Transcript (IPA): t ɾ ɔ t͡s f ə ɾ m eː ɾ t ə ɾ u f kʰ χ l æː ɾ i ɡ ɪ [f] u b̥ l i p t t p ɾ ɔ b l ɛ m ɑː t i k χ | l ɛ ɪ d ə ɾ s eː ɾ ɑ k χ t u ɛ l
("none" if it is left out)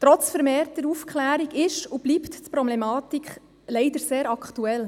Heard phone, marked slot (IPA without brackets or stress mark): ʃ